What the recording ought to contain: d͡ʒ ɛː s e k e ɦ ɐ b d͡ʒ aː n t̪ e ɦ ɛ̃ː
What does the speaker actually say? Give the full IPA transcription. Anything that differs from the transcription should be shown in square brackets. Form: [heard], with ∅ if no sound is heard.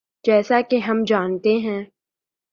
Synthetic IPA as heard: d͡ʒ ɛː s [a] k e ɦ ɐ [m] d͡ʒ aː n t̪ e ɦ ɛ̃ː